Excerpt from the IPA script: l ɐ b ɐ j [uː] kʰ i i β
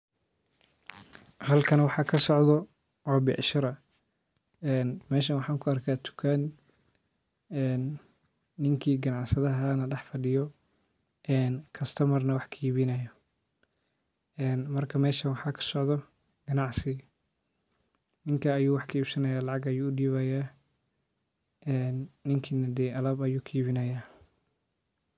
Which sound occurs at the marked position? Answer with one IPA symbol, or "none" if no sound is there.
uː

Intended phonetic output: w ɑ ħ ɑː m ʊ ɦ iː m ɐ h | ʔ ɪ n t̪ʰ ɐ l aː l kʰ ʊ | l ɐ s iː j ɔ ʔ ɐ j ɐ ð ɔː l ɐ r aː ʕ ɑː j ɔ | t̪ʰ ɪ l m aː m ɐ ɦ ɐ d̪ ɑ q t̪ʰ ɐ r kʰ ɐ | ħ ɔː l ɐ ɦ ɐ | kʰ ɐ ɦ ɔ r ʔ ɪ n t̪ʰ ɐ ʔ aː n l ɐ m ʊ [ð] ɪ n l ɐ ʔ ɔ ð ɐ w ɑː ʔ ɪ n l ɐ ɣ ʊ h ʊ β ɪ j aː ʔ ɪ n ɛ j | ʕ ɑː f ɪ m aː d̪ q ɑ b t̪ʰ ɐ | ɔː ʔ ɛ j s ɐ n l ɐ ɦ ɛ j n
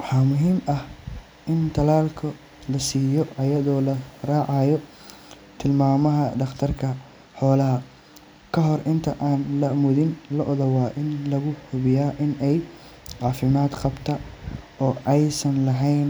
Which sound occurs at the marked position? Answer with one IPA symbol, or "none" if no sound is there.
ð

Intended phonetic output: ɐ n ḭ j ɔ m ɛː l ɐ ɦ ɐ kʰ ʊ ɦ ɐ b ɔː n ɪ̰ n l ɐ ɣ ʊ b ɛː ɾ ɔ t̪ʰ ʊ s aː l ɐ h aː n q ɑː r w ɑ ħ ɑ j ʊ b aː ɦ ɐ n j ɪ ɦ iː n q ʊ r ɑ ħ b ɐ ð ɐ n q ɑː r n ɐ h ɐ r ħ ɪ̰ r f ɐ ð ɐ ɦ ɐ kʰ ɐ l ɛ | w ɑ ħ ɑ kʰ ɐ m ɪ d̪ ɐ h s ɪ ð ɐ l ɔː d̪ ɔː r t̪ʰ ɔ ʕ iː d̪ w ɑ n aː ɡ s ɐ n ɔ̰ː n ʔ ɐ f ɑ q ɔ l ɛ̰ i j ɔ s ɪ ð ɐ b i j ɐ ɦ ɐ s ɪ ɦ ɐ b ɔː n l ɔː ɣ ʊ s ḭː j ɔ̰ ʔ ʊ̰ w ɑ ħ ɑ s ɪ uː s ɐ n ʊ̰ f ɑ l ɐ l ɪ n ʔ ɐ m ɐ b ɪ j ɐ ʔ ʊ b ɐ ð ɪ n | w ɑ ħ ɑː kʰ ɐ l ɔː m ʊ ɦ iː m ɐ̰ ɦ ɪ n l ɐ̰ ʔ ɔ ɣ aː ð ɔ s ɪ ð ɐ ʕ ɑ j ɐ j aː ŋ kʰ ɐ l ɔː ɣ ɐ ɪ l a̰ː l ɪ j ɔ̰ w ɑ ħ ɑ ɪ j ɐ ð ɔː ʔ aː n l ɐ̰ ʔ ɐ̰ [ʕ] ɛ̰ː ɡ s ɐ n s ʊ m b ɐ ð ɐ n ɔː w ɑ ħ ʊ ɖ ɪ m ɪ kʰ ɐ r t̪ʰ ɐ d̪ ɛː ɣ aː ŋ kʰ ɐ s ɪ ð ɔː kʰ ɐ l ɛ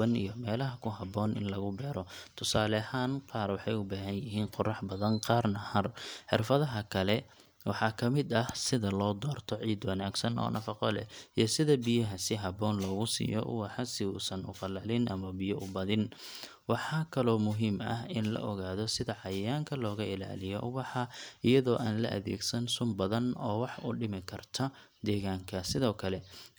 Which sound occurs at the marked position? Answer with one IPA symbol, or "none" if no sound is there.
ð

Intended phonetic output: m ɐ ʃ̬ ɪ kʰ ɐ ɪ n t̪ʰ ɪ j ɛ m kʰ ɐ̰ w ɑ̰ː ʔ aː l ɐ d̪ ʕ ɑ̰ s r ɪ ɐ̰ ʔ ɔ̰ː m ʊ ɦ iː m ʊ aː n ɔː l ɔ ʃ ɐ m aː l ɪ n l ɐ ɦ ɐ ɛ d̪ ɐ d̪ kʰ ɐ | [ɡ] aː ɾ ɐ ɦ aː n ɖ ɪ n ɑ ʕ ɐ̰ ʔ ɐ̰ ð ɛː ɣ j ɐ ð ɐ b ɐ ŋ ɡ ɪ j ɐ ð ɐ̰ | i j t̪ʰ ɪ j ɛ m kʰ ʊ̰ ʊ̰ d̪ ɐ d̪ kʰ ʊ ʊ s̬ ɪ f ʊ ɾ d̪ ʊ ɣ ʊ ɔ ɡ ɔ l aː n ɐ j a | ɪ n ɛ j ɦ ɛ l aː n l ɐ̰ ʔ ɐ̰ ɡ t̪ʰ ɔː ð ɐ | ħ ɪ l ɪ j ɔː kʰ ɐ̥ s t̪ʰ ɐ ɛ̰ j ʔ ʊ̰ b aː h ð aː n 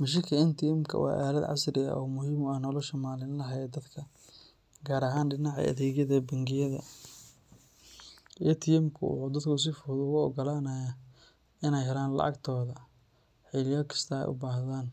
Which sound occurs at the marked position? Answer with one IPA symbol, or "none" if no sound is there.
ɡ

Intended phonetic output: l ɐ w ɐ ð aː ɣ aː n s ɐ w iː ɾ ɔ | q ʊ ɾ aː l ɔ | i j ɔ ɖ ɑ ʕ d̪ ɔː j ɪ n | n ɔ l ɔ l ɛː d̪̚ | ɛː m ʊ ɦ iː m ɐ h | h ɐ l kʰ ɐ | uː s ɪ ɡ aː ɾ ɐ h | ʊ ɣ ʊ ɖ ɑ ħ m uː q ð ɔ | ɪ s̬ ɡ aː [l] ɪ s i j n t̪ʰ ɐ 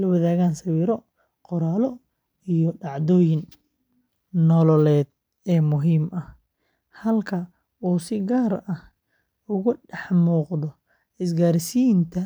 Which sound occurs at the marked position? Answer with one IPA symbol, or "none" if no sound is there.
ɾ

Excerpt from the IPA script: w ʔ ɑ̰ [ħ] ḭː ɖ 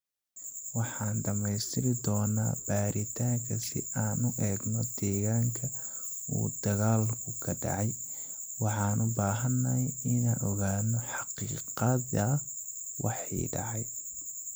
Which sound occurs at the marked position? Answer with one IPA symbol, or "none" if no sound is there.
ħ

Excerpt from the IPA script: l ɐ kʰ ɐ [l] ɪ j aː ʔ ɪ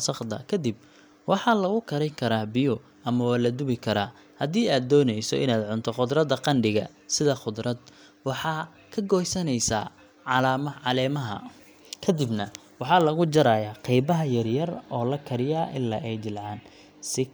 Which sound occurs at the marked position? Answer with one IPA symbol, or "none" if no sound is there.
ɾ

